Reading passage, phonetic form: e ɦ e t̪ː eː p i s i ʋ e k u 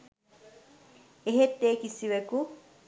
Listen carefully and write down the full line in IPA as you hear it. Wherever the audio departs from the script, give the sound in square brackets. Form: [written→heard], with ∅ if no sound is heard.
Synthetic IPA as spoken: e ɦ e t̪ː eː [p→k] i s i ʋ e k u